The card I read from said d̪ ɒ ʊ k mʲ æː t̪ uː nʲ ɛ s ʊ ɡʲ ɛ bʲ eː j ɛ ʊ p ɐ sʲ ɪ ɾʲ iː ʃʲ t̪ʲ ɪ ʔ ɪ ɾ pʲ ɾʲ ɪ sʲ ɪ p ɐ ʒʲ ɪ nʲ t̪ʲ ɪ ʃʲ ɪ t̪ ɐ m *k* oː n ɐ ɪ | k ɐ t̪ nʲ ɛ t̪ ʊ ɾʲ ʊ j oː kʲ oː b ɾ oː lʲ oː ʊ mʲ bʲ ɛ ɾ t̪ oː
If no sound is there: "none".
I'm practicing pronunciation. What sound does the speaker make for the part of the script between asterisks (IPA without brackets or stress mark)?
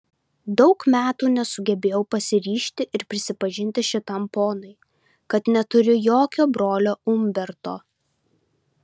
p